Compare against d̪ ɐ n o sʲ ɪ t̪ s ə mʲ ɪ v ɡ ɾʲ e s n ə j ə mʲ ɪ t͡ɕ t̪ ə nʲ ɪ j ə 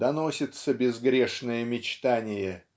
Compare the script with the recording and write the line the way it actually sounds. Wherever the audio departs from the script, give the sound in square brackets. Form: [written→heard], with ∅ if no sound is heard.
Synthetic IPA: d̪ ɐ n o sʲ ɪ t̪ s ə [mʲ→bʲ] ɪ [v→z] ɡ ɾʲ e [s→ʂ] n ə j ə mʲ ɪ t͡ɕ t̪ [ə→a] nʲ ɪ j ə